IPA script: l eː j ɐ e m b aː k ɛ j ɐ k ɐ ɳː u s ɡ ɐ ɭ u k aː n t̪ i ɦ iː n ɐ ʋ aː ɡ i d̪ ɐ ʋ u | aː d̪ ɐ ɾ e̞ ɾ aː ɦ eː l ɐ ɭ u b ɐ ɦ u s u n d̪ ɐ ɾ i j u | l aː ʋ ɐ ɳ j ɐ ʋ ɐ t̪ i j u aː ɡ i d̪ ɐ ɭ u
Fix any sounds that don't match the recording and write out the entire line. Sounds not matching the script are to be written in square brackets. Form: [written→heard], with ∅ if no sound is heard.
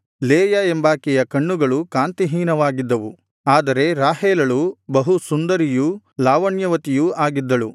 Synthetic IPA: l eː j ɐ e m b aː k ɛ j ɐ k ɐ ɳː u [s→∅] ɡ ɐ ɭ u k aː n t̪ i ɦ iː n ɐ ʋ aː ɡ i [d̪→d̪ː] ɐ ʋ u | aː d̪ ɐ ɾ e̞ ɾ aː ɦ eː l ɐ ɭ u b ɐ ɦ u s u n d̪ ɐ ɾ i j u | l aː ʋ ɐ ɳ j ɐ ʋ ɐ t̪ i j u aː ɡ i [d̪→d̪ː] ɐ ɭ u

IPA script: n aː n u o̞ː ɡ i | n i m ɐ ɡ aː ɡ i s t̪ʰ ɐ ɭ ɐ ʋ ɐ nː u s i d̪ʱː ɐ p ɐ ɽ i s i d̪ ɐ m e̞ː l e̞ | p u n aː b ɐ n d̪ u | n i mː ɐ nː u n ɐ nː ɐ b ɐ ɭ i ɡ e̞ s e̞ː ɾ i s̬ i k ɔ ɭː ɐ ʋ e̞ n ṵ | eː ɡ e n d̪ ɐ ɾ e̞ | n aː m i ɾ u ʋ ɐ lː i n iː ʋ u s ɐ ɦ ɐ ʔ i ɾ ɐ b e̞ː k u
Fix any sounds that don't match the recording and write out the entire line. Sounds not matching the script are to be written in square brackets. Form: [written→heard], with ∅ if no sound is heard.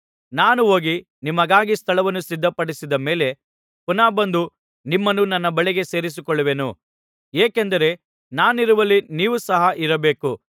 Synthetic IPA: n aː n u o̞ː ɡ i | n i m ɐ ɡ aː ɡ i s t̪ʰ ɐ ɭ ɐ ʋ ɐ nː u s i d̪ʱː ɐ p ɐ ɽ i s i d̪ ɐ m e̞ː l e̞ | p u n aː b ɐ n d̪ u | n i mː ɐ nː u n ɐ nː ɐ b ɐ ɭ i ɡ e̞ s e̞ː ɾ i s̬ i k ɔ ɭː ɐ ʋ e̞ n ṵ | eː [ɡ→k] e n d̪ ɐ ɾ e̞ | n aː [m→n] i ɾ u ʋ ɐ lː i n iː ʋ u s ɐ ɦ ɐ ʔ i ɾ ɐ b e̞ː k u

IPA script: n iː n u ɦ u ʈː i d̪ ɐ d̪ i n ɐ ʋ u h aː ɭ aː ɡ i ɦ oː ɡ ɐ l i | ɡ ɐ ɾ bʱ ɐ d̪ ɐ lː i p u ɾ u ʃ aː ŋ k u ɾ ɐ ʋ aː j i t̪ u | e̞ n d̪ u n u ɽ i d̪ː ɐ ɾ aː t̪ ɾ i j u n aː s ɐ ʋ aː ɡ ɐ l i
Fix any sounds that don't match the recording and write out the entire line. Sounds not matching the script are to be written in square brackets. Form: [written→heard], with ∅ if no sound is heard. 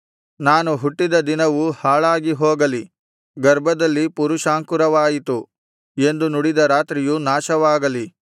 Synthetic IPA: n [iː→aː] n u ɦ u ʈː i d̪ ɐ d̪ i n ɐ ʋ u h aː ɭ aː ɡ i ɦ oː ɡ ɐ l i | ɡ ɐ ɾ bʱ ɐ d̪ ɐ lː i p u ɾ u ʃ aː ŋ k u ɾ ɐ ʋ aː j i t̪ u | e̞ n d̪ u n u ɽ i [d̪ː→d̪] ɐ ɾ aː t̪ ɾ i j u n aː [s→ʃ] ɐ ʋ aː ɡ ɐ l i

